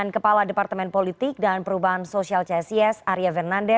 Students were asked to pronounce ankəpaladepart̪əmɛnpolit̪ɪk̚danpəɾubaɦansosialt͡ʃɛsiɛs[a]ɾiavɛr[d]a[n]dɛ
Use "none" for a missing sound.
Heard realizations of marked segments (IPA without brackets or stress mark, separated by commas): a, n, n